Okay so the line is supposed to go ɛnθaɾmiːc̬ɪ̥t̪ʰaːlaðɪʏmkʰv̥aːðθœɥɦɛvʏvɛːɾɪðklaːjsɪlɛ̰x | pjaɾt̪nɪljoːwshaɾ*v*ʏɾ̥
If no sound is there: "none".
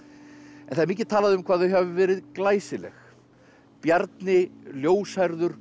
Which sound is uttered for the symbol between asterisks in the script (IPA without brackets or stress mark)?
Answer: ð